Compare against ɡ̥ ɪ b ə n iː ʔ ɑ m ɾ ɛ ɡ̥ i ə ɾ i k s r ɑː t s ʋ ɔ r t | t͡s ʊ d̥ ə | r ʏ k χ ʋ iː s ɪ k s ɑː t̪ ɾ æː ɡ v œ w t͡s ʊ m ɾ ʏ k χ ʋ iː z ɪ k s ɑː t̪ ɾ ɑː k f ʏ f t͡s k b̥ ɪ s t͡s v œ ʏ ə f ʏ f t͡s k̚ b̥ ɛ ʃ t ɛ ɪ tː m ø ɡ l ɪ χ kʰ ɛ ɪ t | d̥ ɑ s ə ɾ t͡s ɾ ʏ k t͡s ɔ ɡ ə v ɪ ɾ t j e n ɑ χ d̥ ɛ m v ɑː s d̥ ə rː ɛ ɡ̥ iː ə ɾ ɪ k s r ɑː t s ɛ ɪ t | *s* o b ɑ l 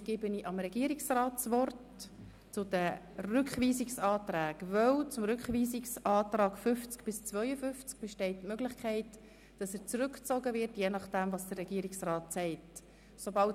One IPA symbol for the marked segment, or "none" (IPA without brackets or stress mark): s